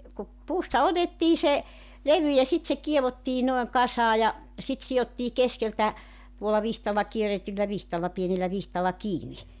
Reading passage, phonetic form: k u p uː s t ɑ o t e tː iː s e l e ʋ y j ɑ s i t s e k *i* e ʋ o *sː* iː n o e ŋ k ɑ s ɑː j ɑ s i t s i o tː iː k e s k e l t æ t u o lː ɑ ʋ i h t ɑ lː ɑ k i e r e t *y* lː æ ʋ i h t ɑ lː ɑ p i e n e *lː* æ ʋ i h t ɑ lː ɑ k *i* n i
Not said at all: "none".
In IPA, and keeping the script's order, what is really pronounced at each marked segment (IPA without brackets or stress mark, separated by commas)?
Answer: i, tː, y, lː, iː